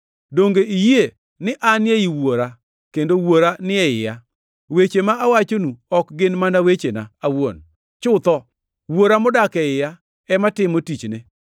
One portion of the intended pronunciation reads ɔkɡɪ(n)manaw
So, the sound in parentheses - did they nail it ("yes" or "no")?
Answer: yes